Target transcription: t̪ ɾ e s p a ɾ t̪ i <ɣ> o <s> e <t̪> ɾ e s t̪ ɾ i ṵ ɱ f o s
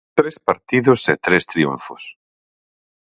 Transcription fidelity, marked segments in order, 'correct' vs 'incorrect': incorrect: ð, correct, correct

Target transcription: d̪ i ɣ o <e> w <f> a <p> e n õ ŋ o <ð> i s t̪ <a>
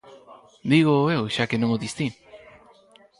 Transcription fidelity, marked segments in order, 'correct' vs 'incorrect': correct, incorrect: ʃ, incorrect: k, correct, incorrect: i

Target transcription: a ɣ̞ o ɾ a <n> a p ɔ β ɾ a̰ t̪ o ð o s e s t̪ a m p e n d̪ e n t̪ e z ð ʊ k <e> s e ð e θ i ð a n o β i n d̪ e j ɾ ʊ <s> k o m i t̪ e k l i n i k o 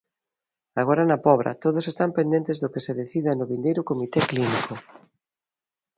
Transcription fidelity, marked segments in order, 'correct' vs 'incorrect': correct, correct, incorrect: none

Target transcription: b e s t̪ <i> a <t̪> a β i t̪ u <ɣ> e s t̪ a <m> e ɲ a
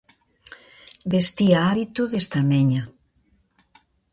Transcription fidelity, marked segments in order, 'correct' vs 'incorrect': correct, incorrect: none, incorrect: ð, correct

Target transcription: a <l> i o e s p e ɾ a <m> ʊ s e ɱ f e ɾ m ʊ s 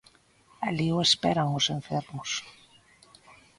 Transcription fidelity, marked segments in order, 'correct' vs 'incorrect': correct, incorrect: ŋ

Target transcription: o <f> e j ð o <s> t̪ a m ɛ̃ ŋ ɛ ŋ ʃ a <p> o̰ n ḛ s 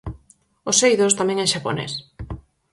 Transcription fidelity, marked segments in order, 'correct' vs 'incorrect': incorrect: s, correct, correct

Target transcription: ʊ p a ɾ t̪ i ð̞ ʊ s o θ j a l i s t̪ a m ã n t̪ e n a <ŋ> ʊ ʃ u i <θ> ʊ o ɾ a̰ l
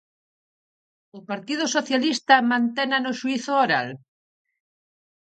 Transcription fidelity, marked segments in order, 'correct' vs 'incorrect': incorrect: n, correct

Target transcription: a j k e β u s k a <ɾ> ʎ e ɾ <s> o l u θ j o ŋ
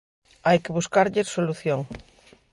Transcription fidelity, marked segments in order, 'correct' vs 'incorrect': correct, correct

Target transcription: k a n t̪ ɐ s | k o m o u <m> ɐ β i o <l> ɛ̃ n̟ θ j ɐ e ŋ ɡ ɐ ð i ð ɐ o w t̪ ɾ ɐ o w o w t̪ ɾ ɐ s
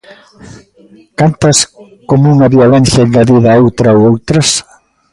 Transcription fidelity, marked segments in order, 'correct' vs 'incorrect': incorrect: ŋ, correct

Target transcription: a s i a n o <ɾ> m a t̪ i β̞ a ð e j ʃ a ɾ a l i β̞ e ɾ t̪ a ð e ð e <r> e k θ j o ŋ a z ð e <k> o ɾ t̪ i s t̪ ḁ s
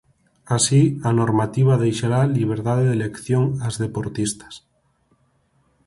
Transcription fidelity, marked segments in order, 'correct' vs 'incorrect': correct, incorrect: l, incorrect: p

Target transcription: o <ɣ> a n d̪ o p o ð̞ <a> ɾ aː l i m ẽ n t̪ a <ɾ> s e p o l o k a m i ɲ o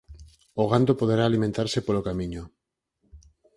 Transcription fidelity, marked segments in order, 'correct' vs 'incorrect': correct, incorrect: e, correct

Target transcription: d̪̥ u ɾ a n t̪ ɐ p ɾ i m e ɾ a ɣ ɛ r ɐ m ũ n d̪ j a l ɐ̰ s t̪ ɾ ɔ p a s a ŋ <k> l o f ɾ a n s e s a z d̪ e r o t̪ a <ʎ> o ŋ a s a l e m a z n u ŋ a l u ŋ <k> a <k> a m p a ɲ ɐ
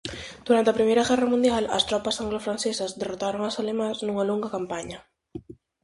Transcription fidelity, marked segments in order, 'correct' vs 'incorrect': incorrect: ɡ, incorrect: ɾ, incorrect: ɡ, correct

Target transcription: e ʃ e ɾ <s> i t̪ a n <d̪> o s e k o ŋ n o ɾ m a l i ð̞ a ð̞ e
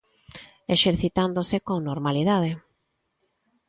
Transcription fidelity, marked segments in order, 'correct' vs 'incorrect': incorrect: θ, correct

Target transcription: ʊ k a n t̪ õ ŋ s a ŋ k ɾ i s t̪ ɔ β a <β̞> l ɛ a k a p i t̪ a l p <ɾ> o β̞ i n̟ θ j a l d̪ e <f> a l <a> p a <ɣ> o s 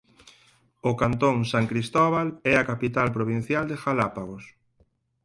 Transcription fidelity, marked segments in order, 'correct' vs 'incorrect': incorrect: none, correct, incorrect: x, correct, correct

